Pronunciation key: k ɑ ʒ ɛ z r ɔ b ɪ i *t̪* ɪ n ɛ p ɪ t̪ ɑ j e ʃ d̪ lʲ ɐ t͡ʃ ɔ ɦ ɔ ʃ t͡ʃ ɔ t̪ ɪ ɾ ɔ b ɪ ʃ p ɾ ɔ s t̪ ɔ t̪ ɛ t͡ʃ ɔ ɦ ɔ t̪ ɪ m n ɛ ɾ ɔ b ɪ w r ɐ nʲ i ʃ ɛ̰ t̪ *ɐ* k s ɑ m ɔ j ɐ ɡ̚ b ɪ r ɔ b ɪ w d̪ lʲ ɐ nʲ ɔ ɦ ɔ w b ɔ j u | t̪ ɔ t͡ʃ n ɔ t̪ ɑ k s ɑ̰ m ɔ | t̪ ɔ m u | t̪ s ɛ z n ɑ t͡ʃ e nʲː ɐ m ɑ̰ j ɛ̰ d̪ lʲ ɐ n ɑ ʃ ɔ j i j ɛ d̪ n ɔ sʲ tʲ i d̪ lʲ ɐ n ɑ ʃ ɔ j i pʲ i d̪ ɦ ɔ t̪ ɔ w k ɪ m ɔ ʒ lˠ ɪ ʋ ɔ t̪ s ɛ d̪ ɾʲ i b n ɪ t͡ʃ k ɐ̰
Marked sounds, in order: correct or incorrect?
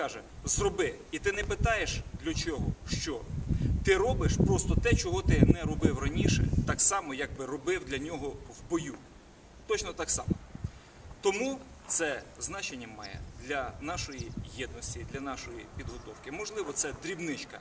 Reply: correct, incorrect: ɑ

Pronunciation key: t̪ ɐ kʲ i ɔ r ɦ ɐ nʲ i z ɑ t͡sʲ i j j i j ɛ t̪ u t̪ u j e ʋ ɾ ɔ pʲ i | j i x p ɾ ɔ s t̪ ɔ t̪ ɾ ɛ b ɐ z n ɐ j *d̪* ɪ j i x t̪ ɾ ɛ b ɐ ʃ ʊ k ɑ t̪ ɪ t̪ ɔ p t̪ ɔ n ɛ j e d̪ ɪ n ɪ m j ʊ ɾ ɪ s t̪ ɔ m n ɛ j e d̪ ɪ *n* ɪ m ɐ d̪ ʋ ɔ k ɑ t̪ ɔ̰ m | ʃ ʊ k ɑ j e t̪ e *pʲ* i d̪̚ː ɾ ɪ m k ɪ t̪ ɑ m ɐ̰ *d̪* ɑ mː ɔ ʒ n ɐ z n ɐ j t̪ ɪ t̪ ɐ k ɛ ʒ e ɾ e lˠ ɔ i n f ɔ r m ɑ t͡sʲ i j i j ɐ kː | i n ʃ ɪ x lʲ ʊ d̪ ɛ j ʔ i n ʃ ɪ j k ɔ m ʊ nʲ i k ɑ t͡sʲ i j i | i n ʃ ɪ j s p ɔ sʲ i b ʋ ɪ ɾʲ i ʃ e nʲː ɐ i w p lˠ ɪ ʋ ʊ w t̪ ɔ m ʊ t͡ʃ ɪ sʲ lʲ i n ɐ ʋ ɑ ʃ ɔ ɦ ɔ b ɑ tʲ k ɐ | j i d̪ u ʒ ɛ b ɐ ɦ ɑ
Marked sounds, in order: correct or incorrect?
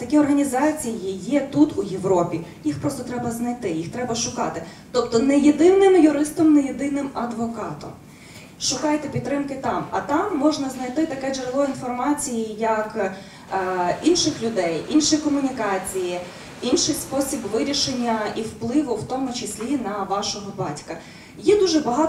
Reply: incorrect: t̪, correct, correct, incorrect: t̪

